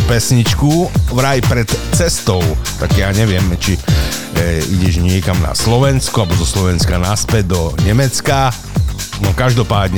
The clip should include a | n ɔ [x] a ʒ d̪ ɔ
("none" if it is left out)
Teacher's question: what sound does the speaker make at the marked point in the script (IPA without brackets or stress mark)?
k